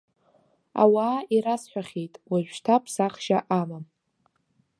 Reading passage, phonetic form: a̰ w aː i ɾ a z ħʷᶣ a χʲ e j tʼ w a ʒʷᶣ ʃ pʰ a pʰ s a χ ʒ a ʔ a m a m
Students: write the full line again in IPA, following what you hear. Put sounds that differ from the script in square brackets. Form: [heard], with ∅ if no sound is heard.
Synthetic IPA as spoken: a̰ w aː i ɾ a [s] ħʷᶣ a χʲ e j tʼ w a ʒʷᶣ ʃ [tʰ] a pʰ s a χ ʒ a ʔ a m a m